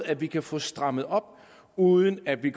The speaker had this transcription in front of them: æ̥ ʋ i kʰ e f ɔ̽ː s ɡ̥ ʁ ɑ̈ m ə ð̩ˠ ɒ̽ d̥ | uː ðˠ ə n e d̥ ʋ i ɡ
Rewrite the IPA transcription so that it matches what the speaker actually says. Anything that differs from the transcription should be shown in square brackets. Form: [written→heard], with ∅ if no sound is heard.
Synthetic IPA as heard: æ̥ ʋ i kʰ [e→æ] f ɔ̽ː s [ɡ̥→d̥] ʁ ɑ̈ m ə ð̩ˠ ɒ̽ [d̥→b̥] | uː ðˠ ə n [e→æ] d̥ ʋ i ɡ